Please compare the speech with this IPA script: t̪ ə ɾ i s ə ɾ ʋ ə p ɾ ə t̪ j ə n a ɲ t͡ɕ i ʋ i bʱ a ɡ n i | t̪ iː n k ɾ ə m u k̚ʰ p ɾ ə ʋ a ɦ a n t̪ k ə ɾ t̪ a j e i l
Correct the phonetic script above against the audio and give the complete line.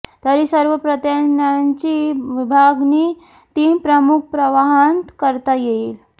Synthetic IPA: t̪ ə ɾ i s ə ɾ ʋ ə p ɾ ə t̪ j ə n a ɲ t͡ɕ i ʋ i bʱ a ɡ n i | t̪ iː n p ɾ ə m u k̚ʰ p ɾ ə ʋ a ɦ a n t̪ k ə ɾ t̪ a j e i l

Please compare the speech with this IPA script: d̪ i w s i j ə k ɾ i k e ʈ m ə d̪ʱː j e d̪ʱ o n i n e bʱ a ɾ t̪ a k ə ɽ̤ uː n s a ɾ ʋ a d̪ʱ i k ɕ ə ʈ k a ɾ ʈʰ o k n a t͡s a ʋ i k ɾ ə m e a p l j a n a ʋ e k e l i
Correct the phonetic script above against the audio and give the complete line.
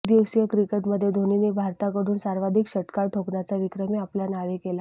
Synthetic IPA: d̪ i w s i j ə k ɾ i k e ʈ m ə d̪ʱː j e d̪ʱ o n i n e bʱ a ɾ t̪ a k ə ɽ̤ uː n s a ɾ ʋ a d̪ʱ i k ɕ ə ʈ k a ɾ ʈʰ o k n a t͡s a ʋ i k ɾ ə m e a p l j a n a ʋ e k e l a

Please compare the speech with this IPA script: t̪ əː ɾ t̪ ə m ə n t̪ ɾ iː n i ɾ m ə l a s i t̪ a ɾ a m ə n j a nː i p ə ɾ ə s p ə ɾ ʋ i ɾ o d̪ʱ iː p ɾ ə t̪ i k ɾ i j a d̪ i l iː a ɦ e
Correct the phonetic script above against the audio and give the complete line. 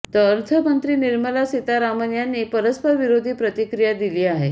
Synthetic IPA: t̪ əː ɾ t̪ʰ ə m ə n t̪ ɾ iː n i ɾ m ə l a s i t̪ a ɾ a m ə n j a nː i p ə ɾ ə s p ə ɾ ʋ i ɾ o d̪ʱ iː p ɾ ə t̪ i k ɾ i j a d̪ i l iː a ɦ e

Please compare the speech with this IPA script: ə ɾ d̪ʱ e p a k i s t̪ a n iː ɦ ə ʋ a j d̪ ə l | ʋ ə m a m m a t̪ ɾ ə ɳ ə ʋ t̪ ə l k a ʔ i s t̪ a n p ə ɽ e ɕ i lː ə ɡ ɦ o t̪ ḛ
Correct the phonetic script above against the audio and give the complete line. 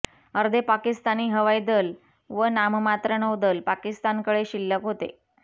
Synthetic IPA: ə ɾ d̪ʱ e p a k i s t̪ a n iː ɦ ə ʋ a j d̪ ə l | ʋ ə n a m m a t̪ ɾ ə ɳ ə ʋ d̪ ə l p a k i s t̪ a n k ə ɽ e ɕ i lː ə k ɦ o t̪ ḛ

